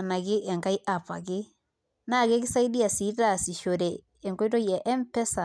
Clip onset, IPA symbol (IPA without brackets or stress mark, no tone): n